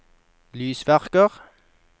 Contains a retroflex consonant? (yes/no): no